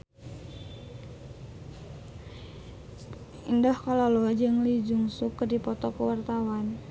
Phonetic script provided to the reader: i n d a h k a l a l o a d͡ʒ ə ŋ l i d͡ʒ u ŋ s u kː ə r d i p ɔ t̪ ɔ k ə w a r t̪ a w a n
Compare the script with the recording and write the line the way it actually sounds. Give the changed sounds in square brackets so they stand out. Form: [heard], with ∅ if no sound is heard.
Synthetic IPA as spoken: i n d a h k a l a l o a d͡ʒ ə ŋ l i d͡ʒ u ŋ s u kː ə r d i p ɔ t̪ ɔ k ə w a r t̪ a w a n